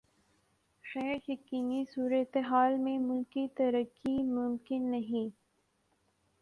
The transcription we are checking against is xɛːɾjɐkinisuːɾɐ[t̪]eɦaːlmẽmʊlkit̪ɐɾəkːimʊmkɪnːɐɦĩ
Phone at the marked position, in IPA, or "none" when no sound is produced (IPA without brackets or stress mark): t̪